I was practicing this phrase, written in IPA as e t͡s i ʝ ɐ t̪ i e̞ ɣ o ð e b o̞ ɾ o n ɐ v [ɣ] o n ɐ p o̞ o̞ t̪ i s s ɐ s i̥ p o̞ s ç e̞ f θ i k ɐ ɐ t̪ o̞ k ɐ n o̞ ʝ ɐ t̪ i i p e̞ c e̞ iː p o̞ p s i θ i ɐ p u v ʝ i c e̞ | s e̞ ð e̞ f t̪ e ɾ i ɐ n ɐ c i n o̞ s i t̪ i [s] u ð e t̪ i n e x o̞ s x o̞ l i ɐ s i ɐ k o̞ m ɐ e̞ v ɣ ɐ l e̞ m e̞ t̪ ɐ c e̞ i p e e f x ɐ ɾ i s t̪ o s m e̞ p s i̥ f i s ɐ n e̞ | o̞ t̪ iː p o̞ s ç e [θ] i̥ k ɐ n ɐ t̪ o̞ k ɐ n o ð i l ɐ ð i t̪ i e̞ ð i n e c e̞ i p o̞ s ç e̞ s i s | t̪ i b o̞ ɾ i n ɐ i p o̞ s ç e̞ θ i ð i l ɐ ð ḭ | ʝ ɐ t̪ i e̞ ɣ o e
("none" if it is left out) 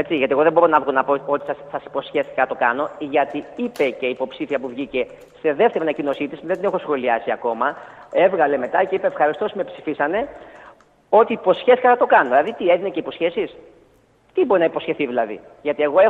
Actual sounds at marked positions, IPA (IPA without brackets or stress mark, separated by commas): ɣ, s, θ